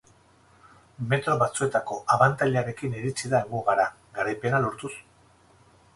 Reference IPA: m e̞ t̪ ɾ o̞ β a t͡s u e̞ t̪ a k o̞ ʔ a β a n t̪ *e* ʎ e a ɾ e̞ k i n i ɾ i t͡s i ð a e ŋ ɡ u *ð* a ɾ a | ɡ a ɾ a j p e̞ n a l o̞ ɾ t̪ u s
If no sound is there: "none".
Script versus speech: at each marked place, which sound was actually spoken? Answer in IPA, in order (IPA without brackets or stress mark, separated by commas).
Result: a, ɣ